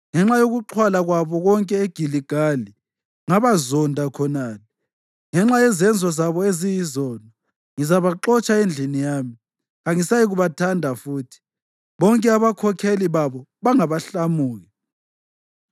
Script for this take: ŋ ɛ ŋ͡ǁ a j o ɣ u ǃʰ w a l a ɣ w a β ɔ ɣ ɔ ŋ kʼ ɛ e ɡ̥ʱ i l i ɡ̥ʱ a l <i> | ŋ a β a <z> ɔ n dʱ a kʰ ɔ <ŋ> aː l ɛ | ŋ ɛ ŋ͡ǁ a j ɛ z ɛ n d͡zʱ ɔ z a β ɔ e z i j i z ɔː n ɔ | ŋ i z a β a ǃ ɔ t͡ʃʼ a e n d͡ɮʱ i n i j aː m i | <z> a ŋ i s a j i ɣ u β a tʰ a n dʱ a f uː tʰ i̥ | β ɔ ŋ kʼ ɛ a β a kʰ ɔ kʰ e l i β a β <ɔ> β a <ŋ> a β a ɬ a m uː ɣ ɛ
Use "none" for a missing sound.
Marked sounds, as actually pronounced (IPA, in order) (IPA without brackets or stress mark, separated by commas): i, z, n, ɣ, ɔ, ŋ